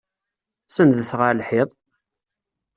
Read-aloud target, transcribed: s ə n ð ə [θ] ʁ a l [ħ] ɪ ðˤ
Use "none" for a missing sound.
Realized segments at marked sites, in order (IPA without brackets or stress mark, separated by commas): θ, ħ